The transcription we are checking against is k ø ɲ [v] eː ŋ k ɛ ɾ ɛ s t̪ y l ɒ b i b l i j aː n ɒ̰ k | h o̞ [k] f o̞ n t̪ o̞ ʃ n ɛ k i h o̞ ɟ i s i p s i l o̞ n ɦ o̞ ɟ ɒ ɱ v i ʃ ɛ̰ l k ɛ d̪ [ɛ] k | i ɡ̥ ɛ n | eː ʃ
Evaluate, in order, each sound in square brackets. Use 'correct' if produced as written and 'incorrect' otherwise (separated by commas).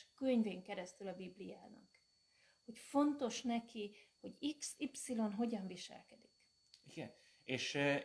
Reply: correct, incorrect, incorrect